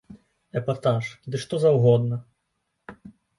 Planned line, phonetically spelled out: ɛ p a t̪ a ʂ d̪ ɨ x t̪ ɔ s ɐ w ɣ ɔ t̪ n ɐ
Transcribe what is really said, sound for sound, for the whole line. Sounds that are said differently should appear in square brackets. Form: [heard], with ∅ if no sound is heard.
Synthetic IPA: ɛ p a t̪ a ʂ d̪ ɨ [ʂ] t̪ ɔ [z] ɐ w ɣ ɔ [d̪] n ɐ

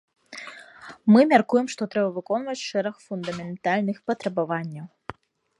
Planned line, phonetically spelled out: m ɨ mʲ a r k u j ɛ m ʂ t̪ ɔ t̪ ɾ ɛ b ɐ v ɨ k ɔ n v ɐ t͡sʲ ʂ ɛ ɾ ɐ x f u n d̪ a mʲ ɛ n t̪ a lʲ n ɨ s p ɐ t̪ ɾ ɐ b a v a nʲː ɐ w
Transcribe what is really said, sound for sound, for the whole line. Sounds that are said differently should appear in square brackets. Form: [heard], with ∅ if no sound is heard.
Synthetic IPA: m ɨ mʲ a r k u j ɛ m ʂ t̪ ɔ t̪ ɾ ɛ b ɐ v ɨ k ɔ n v ɐ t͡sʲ ʂ ɛ ɾ ɐ x f u n d̪ [ɐ] mʲ ɛ n t̪ a lʲ n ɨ [x] p ɐ t̪ ɾ ɐ b a v a nʲː ɐ w

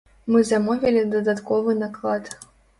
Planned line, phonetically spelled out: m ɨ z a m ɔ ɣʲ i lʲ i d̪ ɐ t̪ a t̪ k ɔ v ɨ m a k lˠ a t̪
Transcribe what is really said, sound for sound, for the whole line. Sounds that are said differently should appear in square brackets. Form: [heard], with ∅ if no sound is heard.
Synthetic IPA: m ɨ z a m ɔ [vʲ] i lʲ i d̪ ɐ [d̪] a t̪ k ɔ v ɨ [n] a k lˠ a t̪

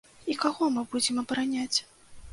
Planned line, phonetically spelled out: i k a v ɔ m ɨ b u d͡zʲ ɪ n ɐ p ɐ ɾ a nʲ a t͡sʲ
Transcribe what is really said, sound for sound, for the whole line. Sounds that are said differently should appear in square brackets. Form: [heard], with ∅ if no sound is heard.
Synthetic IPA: i k a [ɣ] ɔ m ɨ b u d͡zʲ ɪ [m] ɐ [b] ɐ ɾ a nʲ a t͡sʲ

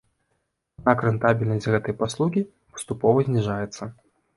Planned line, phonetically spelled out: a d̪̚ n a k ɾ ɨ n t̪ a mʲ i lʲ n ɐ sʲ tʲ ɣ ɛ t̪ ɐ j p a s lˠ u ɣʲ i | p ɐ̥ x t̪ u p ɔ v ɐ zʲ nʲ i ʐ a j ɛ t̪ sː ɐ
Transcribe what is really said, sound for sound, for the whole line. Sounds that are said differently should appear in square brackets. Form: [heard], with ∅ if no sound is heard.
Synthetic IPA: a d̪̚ n a k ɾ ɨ n t̪ a [bʲ] i lʲ n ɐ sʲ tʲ ɣ ɛ t̪ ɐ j p a s lˠ u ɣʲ i | p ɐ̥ [s] t̪ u p ɔ v ɐ zʲ nʲ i ʐ a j ɛ t̪ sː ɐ

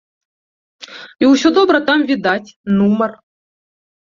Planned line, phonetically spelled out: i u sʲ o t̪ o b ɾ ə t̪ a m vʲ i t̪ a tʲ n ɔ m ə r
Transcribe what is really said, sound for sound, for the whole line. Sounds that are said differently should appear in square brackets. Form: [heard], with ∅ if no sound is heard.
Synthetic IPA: i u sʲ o [d̪] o b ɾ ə t̪ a m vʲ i [d̪] a tʲ n [u] m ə r

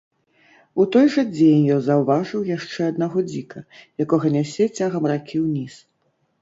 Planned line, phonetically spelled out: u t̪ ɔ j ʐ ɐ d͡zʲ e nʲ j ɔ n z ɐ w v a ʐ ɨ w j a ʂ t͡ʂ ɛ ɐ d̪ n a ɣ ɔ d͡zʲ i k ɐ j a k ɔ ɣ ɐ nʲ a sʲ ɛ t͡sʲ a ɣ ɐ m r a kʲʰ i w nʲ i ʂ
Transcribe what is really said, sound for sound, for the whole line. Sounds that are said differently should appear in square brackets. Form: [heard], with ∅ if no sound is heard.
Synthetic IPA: u t̪ ɔ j ʐ ɐ d͡zʲ e nʲ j ɔ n z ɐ w v a ʐ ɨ w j a ʂ t͡ʂ ɛ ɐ d̪ n a ɣ ɔ d͡zʲ i k ɐ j a k ɔ ɣ ɐ nʲ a sʲ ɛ t͡sʲ a ɣ ɐ m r a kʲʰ i w nʲ i [s]

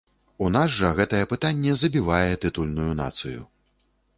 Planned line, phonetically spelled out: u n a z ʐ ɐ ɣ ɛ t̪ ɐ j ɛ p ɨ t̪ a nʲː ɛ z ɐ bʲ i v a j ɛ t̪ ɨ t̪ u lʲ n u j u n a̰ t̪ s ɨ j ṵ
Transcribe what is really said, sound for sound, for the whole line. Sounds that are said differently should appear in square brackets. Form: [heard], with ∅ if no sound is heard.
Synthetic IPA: u n a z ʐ ɐ ɣ ɛ t̪ ɐ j ɛ p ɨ t̪ a nʲː ɛ z ɐ bʲ i v a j ɛ t̪ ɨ t̪ u lʲ n u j u n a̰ t̪ s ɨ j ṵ

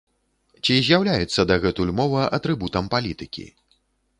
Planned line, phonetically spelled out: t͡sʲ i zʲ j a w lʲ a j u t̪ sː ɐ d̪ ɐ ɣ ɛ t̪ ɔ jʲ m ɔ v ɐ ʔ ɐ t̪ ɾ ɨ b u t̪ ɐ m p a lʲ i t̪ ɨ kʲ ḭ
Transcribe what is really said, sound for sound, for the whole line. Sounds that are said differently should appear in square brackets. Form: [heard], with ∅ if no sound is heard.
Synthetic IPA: t͡sʲ i zʲ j a w lʲ a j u t̪ sː ɐ d̪ ɐ ɣ ɛ t̪ [u] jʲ m ɔ v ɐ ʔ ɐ t̪ ɾ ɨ b u t̪ ɐ m p a lʲ i t̪ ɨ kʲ ḭ

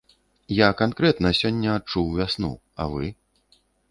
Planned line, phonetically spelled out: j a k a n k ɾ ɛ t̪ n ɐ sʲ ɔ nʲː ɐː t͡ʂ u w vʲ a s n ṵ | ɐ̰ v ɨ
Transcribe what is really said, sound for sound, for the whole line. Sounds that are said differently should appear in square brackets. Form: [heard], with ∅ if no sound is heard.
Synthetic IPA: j a k a n k ɾ ɛ t̪ n ɐ sʲ ɔ nʲː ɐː t͡ʂ u w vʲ a s n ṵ | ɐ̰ v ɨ

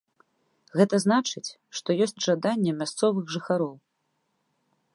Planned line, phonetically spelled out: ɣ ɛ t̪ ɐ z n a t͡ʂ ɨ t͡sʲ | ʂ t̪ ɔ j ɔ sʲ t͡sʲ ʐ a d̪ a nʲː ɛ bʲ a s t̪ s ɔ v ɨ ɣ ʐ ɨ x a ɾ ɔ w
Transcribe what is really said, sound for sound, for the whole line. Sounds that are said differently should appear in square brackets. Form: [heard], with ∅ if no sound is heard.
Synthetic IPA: ɣ ɛ t̪ ɐ z n a t͡ʂ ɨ t͡sʲ | ʂ t̪ ɔ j ɔ sʲ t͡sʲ ʐ a d̪ a nʲː ɛ [mʲ] a s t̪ s ɔ v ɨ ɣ ʐ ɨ x a ɾ ɔ w

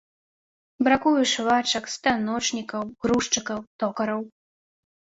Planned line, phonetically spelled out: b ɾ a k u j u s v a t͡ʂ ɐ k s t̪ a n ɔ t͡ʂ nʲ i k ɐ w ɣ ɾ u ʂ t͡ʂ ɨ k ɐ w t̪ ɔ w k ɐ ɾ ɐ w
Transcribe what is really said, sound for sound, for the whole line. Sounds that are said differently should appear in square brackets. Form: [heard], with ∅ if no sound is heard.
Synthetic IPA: b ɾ a k u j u [ʂ] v a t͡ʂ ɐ k s t̪ a n ɔ t͡ʂ nʲ i k ɐ w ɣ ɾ u ʂ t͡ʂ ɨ k ɐ w t̪ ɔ [∅] k ɐ ɾ ɐ w

